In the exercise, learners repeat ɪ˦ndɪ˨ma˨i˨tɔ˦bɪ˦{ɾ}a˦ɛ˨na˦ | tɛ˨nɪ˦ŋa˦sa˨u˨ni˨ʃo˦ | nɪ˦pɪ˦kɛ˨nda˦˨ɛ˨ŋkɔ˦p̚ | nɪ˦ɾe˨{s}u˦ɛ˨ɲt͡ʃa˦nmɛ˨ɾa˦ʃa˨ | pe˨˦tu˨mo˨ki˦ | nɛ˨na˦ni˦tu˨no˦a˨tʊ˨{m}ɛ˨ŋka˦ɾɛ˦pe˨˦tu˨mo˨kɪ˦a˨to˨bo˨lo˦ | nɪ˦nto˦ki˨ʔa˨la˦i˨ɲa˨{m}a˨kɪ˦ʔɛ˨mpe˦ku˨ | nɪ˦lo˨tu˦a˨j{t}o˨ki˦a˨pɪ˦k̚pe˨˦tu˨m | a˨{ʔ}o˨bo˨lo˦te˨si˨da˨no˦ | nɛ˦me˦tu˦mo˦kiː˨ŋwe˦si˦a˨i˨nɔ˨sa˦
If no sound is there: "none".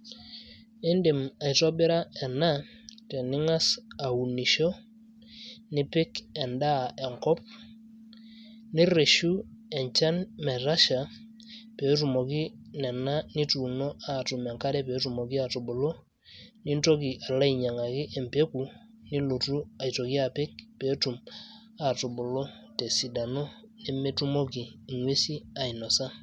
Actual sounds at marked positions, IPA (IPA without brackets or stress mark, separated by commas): ɾ, ʃ, m, ŋ, t, t